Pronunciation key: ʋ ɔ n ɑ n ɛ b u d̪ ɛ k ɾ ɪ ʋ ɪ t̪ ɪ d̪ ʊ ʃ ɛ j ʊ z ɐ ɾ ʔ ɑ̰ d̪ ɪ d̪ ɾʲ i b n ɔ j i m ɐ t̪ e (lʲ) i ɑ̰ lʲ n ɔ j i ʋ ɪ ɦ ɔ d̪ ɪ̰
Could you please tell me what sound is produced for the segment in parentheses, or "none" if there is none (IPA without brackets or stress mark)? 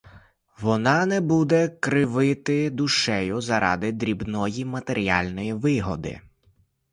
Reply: ɾʲ